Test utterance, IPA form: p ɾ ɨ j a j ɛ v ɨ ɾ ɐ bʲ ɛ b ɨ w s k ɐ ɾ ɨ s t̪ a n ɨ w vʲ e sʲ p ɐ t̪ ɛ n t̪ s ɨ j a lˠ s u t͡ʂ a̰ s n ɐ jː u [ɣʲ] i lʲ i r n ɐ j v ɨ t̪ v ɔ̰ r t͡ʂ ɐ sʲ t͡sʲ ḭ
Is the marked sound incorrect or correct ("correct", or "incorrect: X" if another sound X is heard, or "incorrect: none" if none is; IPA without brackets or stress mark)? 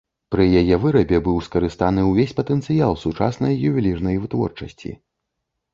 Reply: incorrect: vʲ